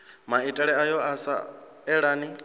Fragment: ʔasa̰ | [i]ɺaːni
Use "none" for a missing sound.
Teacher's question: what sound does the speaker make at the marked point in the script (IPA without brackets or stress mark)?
ɛ